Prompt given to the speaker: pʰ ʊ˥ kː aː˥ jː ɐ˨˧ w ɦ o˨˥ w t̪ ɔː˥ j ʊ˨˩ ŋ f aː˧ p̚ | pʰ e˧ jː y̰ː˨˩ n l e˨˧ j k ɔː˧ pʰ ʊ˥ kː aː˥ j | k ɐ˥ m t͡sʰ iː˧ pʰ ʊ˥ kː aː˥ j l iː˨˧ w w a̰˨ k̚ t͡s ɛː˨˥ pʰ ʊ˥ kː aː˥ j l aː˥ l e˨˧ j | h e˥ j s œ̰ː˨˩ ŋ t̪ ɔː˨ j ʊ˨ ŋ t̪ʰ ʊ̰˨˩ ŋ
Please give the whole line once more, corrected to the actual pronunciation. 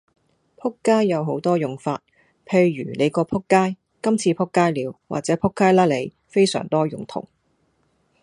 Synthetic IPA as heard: pʰ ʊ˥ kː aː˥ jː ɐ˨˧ w ɦ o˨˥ w t̪ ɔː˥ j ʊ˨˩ ŋ f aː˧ t̚ | pʰ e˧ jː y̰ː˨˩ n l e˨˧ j k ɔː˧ pʰ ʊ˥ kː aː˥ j | k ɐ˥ m t͡sʰ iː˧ pʰ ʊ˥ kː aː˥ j l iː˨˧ w w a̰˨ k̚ t͡s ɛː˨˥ pʰ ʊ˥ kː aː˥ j l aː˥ l e˨˧ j | f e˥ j s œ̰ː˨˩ ŋ t̪ ɔː˥ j ʊ˨ ŋ t̪ʰ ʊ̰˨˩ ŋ